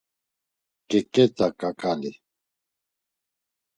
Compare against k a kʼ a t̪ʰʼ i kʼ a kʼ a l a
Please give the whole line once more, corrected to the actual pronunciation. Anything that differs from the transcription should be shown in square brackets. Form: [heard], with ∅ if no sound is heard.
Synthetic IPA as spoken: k [ɛ] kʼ [ɛ] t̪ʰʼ [a] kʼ a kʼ a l [i]